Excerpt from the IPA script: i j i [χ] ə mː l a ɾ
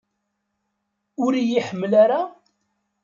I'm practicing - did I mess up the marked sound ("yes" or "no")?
yes